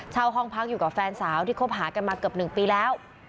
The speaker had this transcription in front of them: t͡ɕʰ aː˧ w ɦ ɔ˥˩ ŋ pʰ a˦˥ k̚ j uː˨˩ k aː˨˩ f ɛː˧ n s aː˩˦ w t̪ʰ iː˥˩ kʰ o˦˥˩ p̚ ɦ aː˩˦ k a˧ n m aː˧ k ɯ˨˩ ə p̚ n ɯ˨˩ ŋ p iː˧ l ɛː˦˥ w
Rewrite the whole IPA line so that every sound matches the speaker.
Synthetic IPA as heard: t͡ɕʰ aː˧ w ɦ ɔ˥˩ ŋ pʰ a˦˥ k̚ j uː˨˩ k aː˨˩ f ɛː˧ n s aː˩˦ w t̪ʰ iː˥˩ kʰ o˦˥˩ p̚ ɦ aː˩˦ k a˧ n m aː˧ k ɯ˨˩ ə p̚ n ɯ˨˩ ŋ p iː˧ l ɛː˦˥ w